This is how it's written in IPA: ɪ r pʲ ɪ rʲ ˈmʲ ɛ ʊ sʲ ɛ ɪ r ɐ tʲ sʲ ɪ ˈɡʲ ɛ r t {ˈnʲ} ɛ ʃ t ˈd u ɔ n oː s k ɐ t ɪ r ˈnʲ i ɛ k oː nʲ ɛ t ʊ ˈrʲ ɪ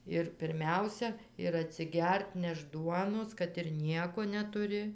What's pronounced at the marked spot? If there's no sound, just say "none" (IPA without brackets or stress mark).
nʲ